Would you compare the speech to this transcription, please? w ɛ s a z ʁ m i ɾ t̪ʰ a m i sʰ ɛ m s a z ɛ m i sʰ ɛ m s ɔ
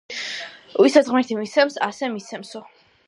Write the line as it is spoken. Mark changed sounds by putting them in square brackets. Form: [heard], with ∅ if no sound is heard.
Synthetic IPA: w [i] s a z ʁ m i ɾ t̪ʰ [i] m i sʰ ɛ m s a [s] ɛ m i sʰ ɛ m s ɔ